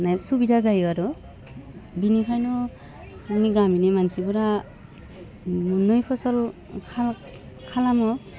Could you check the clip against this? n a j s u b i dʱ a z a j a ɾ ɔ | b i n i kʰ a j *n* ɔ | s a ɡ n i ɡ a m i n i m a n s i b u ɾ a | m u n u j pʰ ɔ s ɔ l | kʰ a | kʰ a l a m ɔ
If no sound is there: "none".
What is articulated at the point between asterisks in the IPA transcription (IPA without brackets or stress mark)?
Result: n